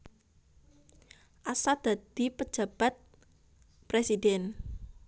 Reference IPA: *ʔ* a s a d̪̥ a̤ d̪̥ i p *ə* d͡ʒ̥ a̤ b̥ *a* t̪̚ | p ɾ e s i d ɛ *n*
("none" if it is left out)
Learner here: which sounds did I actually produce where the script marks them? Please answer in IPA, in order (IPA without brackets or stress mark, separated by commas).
ʔ, ə, a, n